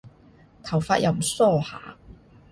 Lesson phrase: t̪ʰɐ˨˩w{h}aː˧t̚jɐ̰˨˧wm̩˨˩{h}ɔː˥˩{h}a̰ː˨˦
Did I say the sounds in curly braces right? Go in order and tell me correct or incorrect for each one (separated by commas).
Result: incorrect, incorrect, correct